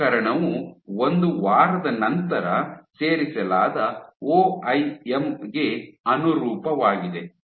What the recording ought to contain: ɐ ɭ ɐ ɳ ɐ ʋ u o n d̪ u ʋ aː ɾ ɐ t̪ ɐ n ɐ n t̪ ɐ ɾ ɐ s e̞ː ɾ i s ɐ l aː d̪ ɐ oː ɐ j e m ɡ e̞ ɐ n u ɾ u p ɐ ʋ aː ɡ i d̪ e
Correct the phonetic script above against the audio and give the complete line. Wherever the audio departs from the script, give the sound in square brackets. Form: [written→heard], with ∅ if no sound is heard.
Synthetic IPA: ɐ [ɭ→ɾ] ɐ ɳ ɐ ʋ u o n d̪ u ʋ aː ɾ ɐ [t̪→d̪] ɐ n ɐ n t̪ ɐ ɾ ɐ s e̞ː ɾ i s ɐ l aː d̪ ɐ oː ɐ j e m ɡ e̞ ɐ n u ɾ [u→uː] p ɐ ʋ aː ɡ i d̪ e

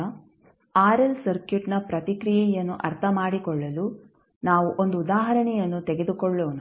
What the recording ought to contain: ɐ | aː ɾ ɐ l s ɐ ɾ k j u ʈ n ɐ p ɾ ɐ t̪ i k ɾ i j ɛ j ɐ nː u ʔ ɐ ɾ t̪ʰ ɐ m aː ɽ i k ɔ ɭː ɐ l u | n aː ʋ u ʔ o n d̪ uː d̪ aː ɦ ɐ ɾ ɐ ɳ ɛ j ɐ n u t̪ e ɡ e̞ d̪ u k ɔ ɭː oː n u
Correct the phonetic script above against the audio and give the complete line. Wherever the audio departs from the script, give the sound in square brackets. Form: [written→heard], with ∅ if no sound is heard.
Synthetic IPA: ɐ | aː ɾ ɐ l s ɐ ɾ k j u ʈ n ɐ p ɾ ɐ t̪ i k ɾ i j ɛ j ɐ nː u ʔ ɐ ɾ t̪ʰ ɐ m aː ɽ i k ɔ ɭː ɐ l u | n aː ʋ u ʔ o n d̪ uː d̪ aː ɦ ɐ ɾ ɐ ɳ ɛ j ɐ [n→nː] u t̪ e ɡ e̞ d̪ u k ɔ ɭː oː n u

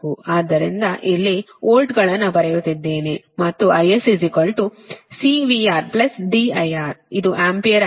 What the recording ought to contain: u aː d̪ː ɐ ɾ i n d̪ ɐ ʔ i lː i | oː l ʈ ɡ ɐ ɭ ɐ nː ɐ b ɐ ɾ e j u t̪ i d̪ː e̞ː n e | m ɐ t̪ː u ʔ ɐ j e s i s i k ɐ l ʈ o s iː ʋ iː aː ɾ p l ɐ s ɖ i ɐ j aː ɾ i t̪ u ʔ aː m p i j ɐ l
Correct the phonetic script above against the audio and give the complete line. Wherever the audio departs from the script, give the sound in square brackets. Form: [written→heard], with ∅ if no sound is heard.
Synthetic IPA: u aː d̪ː ɐ ɾ i n d̪ ɐ ʔ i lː i | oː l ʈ ɡ ɐ ɭ ɐ nː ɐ b ɐ ɾ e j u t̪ i d̪ː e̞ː n e | m ɐ t̪ː u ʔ ɐ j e s i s i k ɐ l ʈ [o→u] s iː ʋ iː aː ɾ p l ɐ s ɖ i ɐ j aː ɾ i [t̪→d̪] u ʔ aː m p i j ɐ [l→ɾ]

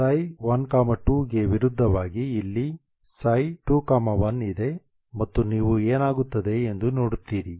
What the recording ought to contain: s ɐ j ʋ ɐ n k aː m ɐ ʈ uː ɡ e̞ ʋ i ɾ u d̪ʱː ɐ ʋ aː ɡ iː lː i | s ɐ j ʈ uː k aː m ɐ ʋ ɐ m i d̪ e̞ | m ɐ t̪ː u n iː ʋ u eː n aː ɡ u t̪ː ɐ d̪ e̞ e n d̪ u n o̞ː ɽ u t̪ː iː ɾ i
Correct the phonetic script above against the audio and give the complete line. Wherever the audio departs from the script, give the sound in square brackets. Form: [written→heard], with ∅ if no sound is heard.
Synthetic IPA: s ɐ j ʋ ɐ n k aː m ɐ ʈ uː ɡ e̞ ʋ i ɾ u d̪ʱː ɐ ʋ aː ɡ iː lː i | s ɐ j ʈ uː k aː m ɐ ʋ ɐ [m→n] i d̪ e̞ | m ɐ t̪ː u n iː ʋ u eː n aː ɡ u t̪ː ɐ d̪ e̞ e n d̪ u n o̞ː ɽ u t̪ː iː ɾ i

